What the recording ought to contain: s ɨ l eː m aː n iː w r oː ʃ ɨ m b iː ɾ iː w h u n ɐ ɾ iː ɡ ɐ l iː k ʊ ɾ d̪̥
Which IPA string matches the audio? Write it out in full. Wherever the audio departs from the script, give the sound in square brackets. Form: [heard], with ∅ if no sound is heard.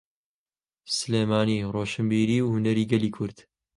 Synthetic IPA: s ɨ l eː m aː n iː [∅] r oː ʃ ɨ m b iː ɾ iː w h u n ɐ ɾ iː ɡ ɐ l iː [kʰ] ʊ ɾ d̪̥